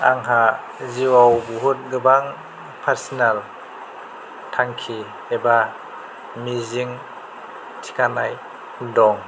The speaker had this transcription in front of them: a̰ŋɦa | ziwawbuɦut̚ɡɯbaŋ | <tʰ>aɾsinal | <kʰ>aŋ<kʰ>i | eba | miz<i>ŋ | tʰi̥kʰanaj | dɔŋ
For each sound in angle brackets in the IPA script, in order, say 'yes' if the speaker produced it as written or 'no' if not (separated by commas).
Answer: no, no, yes, yes